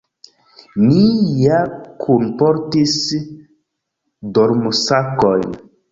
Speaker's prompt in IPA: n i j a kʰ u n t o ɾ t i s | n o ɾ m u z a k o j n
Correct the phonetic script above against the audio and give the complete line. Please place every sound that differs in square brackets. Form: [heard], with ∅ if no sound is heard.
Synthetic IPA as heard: n i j a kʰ u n [p] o ɾ t i s | [d] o ɾ m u [s] a k o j n